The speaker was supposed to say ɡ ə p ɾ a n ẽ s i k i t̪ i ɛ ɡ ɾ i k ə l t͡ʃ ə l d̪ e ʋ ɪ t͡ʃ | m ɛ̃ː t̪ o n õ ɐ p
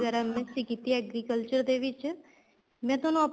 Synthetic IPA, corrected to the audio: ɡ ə ɾ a m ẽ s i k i t̪ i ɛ ɡ ɾ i k ə l t͡ʃ ə ɾ d̪ e ʋ ɪ t͡ʃ | m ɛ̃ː t̪ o n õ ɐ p